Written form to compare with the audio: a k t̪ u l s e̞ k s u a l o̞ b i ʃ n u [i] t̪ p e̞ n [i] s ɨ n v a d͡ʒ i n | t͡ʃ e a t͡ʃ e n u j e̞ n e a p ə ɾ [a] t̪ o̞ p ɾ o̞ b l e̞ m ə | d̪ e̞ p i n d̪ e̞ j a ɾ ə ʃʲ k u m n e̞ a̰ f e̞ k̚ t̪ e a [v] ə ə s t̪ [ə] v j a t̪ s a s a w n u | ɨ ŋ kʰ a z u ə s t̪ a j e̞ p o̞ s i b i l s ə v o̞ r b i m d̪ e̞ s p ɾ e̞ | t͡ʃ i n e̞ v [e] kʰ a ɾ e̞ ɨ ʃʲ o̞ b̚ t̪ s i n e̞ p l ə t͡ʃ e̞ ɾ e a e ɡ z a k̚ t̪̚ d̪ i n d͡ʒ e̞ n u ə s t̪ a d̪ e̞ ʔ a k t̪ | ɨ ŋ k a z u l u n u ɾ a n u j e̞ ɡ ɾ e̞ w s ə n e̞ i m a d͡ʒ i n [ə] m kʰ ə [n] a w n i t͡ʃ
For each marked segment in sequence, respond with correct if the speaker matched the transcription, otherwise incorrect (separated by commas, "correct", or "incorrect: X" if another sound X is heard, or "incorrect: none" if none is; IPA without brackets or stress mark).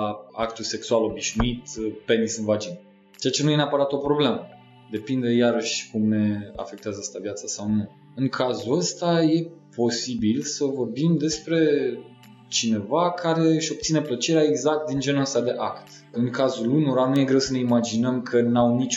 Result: correct, correct, correct, incorrect: z, incorrect: a, incorrect: a, correct, correct